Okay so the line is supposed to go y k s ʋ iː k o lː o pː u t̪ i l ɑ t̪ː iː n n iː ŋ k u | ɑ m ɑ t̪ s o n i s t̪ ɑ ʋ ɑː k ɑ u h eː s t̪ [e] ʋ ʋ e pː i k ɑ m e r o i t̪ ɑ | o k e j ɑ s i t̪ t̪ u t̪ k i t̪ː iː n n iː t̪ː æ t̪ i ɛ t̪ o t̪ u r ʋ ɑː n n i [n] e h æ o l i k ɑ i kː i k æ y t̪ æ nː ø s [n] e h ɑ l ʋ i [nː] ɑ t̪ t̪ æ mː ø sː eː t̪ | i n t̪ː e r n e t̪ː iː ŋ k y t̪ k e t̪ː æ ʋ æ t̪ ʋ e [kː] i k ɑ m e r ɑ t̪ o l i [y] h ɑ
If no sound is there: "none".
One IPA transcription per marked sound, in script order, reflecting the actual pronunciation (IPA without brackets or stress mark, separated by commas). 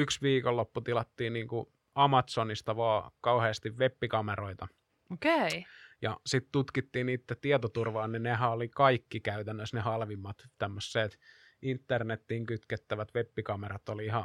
i, n, n, mː, pː, i